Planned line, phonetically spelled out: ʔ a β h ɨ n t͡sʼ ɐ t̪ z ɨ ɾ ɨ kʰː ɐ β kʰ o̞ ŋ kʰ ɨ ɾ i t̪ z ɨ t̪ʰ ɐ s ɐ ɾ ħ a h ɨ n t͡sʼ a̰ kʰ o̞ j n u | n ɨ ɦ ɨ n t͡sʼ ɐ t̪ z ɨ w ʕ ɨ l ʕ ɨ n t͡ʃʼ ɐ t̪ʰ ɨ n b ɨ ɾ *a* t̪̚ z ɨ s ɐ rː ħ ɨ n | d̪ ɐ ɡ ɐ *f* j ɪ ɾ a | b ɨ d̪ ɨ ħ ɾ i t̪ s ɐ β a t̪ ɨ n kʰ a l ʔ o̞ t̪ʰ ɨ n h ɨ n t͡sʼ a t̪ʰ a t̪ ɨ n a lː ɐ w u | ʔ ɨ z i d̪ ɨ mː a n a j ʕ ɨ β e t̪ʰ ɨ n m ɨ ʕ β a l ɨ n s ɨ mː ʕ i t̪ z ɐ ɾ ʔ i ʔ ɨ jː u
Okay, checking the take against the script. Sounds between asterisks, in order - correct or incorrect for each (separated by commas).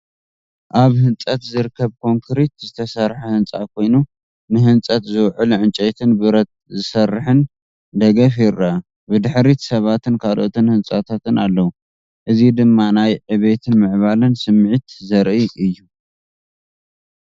incorrect, correct